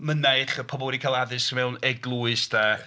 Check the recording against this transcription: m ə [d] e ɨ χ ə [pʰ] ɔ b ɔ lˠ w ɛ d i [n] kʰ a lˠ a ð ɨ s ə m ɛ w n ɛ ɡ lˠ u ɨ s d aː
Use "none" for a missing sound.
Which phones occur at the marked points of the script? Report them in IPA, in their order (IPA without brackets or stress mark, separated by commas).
n, pʰ, none